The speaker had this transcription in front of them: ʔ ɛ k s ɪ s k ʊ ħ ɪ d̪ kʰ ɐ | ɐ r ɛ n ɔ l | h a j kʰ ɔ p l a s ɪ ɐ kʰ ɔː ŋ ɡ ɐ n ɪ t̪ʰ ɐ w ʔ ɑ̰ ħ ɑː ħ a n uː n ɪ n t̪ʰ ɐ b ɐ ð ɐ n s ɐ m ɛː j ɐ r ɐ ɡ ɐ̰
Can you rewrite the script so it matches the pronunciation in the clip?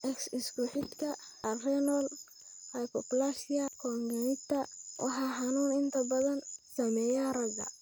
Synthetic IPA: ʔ ɛ k s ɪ s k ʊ ħ ɪ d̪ kʰ ɐ | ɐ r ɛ n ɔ l | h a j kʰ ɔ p l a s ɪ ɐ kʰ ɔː ŋ ɡ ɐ n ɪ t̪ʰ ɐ w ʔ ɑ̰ ħ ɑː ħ ɑ n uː n ɪ n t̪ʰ ɐ b ɐ ð ɐ n s ɐ m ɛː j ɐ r ɐ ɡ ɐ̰